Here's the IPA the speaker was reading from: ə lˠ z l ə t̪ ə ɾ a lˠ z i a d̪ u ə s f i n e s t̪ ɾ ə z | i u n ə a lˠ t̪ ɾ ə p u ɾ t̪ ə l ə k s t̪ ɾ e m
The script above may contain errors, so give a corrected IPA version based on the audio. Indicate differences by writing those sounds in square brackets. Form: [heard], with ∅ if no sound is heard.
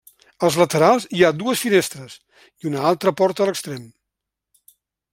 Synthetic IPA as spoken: ə lˠ z l ə t̪ ə ɾ a lˠ z i a d̪ u ə s f i n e s t̪ ɾ ə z | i u n ə a lˠ t̪ ɾ ə p [ɔ] ɾ t̪ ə l ə k s t̪ ɾ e m